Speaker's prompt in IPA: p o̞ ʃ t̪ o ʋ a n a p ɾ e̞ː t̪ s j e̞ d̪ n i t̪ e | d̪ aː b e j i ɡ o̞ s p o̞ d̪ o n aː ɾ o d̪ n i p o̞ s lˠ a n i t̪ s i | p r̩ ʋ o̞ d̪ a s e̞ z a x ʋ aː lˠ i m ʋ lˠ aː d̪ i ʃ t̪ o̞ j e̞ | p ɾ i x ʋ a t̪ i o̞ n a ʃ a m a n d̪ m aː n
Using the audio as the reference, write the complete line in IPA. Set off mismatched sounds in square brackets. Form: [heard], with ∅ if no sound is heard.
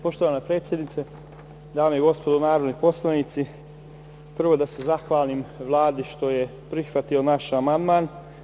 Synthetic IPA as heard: p o̞ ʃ t̪ o ʋ a n a p ɾ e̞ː t̪ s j e̞ d̪ n i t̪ e | d̪ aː [m] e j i ɡ o̞ s p o̞ d̪ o n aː ɾ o d̪ n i p o̞ s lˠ a n i t̪ s i | p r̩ ʋ o̞ d̪ a s e̞ z a x ʋ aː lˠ i m ʋ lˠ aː d̪ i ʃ t̪ o̞ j e̞ | p ɾ i x ʋ a t̪ i o̞ n a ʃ a m a n d̪ m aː n

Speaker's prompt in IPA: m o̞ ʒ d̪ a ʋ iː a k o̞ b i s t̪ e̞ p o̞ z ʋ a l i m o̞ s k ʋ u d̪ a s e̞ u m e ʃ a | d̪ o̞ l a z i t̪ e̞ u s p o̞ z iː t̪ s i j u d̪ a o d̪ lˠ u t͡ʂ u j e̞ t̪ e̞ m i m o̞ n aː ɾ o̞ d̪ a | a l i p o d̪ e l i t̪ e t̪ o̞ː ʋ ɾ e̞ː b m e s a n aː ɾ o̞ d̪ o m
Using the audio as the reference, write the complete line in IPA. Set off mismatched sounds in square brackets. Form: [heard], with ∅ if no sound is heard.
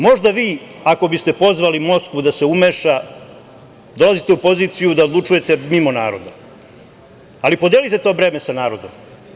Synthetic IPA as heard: m o̞ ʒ d̪ a ʋ iː a k o̞ b i s t̪ e̞ p o̞ z ʋ a l i m o̞ s k ʋ u d̪ a s e̞ u m e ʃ a | d̪ o̞ l a z i t̪ e̞ u [∅] p o̞ z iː t̪ s i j u d̪ a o d̪ lˠ u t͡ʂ u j e̞ t̪ e̞ m i m o̞ n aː ɾ o̞ d̪ a | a l i p o d̪ e l i t̪ e t̪ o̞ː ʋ ɾ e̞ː [∅] m e s a n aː ɾ o̞ d̪ o m

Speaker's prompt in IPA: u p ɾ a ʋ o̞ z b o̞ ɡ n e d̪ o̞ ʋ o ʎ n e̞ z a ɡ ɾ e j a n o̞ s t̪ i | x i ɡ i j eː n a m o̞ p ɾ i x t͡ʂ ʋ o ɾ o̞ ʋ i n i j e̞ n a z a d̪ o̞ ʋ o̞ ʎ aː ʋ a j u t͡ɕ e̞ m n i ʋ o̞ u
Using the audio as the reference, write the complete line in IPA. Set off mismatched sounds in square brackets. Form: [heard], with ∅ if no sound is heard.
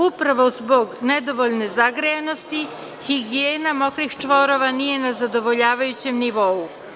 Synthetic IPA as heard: u p ɾ a ʋ o̞ z b o̞ ɡ n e d̪ o̞ ʋ o ʎ n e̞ z a ɡ ɾ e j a n o̞ s t̪ i | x i ɡ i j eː n a m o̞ [k] ɾ i x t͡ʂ ʋ o ɾ o̞ ʋ [a] n i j e̞ n a z a d̪ o̞ ʋ o̞ ʎ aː ʋ a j u t͡ɕ e̞ m n i ʋ o̞ u

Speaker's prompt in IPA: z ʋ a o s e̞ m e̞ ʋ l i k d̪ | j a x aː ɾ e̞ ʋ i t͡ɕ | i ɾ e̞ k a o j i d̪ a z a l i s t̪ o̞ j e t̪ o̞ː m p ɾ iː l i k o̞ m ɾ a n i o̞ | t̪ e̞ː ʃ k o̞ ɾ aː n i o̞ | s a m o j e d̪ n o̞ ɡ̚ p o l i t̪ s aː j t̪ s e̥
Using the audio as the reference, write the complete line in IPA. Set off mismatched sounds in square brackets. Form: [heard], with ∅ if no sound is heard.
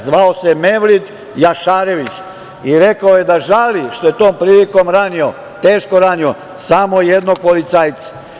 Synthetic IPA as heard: z ʋ a o s e̞ m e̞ ʋ l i [∅] d̪ | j a [ʃ] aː ɾ e̞ ʋ i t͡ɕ | i ɾ e̞ k a o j [e] d̪ a [ʒ] a l i [ʃ] t̪ o̞ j e t̪ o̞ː m p ɾ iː l i k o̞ m ɾ a n i o̞ | t̪ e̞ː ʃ k o̞ ɾ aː n i o̞ | s a m o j e d̪ n o̞ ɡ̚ p o l i t̪ s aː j t̪ s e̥

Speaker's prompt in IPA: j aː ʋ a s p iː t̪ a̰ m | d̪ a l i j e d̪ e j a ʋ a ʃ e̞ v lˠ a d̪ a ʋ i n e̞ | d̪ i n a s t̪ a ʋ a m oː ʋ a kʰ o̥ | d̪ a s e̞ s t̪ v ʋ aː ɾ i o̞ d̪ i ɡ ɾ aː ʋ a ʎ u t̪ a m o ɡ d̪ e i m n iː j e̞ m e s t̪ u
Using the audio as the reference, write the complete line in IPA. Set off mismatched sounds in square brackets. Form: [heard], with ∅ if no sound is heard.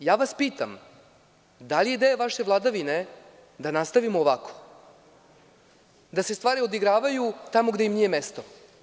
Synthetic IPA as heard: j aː ʋ a s p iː t̪ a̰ m | d̪ a l i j e d̪ e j a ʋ a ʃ e̞ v lˠ a d̪ a ʋ i n e̞ | d̪ [a] n a s t̪ a ʋ [i] m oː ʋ a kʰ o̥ | d̪ a s e̞ s t̪ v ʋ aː ɾ i o̞ d̪ i ɡ ɾ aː ʋ a [j] u t̪ a m o ɡ d̪ e i m n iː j e̞ m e s t̪ [o]

